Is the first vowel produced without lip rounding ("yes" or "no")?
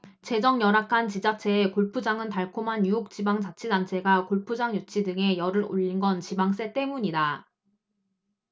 yes